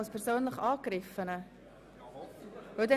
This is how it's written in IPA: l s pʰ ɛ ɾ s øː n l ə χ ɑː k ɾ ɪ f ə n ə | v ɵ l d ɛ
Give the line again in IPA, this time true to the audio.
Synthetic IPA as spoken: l s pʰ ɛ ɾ s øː n l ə χ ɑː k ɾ ɪ f ə n ə | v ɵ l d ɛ